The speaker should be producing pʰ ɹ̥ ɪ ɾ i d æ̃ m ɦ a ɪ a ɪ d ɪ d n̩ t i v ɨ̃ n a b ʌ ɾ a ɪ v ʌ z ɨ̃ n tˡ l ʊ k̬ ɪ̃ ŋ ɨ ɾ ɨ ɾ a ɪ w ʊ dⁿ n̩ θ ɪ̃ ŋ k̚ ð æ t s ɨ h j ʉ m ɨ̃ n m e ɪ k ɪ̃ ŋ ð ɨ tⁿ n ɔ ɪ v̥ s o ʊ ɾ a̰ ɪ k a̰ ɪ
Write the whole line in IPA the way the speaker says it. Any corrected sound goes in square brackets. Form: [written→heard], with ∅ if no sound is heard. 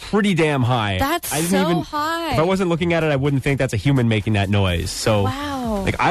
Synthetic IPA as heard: pʰ ɹ̥ ɪ ɾ i d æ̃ m ɦ a ɪ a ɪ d ɪ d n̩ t i v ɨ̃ n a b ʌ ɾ a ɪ [v→w] ʌ z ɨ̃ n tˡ l ʊ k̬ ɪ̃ ŋ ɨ ɾ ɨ ɾ a ɪ w ʊ dⁿ n̩ θ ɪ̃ ŋ k̚ ð æ t s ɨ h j ʉ m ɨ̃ n m e ɪ k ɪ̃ ŋ ð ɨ tⁿ n ɔ ɪ [v̥→z̥] s o ʊ [ɾ→l] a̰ ɪ k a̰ ɪ